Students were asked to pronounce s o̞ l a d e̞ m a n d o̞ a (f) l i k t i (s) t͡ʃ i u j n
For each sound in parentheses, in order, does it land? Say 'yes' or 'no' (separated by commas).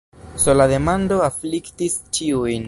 yes, yes